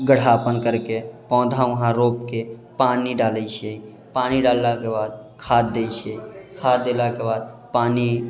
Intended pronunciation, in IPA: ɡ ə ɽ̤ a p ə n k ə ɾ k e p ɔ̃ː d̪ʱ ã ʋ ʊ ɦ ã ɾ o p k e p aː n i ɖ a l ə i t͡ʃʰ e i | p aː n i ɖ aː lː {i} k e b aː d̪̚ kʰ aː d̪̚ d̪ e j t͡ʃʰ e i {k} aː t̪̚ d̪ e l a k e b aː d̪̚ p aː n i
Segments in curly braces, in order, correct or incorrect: incorrect: a, incorrect: kʰ

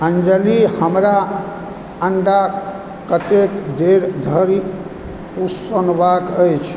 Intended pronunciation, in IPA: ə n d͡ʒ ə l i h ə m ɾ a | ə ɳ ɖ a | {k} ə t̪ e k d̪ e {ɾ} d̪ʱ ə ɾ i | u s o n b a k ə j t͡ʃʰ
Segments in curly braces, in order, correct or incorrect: correct, correct

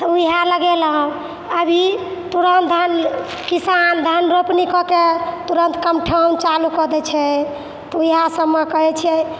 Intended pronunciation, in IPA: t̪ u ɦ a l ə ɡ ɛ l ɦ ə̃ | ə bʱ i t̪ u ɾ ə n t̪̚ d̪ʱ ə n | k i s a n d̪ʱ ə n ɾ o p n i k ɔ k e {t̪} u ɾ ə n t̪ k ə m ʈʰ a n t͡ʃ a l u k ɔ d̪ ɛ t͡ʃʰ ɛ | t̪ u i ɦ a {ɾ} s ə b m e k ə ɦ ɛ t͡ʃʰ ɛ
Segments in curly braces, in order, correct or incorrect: correct, incorrect: none

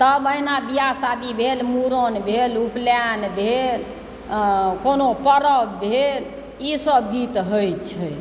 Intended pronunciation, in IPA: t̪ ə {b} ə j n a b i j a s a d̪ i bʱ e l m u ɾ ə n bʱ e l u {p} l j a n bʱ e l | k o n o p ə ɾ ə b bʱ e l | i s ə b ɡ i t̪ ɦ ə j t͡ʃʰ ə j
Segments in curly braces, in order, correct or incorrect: correct, correct

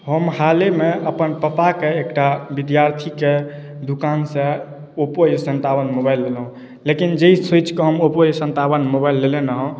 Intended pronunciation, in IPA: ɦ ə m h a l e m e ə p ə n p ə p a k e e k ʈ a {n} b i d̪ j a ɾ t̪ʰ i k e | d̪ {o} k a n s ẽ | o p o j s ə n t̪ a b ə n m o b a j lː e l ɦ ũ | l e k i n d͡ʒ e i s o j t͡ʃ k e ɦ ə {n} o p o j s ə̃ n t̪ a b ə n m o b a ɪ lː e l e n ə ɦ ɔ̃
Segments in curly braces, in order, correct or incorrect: incorrect: none, incorrect: u, incorrect: m

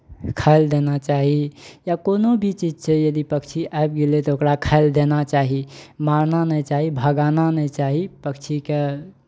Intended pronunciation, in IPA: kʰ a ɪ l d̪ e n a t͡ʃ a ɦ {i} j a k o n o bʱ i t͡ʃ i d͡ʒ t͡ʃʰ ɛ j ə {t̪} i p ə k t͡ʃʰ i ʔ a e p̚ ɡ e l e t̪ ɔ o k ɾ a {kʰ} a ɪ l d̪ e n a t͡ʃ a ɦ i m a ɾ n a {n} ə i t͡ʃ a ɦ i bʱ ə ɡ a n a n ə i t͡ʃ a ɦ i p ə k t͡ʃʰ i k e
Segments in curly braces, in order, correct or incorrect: correct, incorrect: d̪, correct, correct

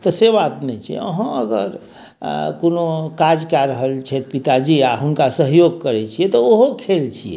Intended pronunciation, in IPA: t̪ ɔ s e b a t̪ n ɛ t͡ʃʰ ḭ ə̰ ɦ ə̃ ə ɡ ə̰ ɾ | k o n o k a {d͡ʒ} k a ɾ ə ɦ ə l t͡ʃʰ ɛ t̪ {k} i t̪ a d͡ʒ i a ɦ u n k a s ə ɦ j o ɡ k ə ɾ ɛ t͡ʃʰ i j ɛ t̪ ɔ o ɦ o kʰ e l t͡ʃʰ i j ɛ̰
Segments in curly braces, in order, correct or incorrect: correct, incorrect: p

